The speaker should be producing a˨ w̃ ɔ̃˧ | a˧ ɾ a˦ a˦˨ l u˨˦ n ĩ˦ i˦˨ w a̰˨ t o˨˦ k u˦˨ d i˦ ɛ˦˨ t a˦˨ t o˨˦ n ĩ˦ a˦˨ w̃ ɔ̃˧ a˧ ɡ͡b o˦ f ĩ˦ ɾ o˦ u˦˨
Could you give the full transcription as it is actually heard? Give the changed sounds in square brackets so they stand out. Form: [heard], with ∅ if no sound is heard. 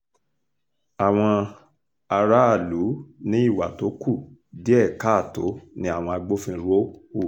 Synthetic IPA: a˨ w̃ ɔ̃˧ | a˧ ɾ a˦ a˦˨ l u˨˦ n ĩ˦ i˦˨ w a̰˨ t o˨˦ k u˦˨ d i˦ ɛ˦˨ [k] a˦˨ t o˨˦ n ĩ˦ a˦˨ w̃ ɔ̃˧ a˧ ɡ͡b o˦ f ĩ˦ ɾ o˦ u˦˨